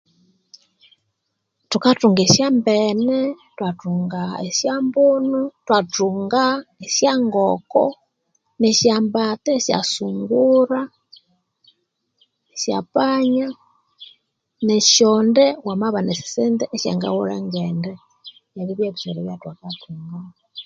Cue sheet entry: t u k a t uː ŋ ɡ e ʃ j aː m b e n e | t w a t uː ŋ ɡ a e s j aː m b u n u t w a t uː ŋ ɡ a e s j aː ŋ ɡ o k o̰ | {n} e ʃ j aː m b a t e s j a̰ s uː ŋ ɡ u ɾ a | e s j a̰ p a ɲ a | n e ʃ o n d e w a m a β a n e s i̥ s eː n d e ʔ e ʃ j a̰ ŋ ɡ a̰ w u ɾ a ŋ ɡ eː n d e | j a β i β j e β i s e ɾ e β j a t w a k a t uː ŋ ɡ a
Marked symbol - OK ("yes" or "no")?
yes